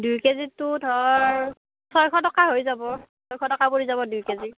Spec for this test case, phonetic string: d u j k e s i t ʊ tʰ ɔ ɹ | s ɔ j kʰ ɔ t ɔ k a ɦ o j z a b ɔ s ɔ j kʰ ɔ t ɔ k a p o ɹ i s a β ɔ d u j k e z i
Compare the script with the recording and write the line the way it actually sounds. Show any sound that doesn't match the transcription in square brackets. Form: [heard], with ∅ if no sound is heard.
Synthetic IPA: d u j k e [z] i t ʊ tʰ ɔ ɹ | s ɔ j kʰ ɔ t ɔ k a ɦ o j z a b ɔ s ɔ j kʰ ɔ t ɔ k a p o ɹ i [z] a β ɔ d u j k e z i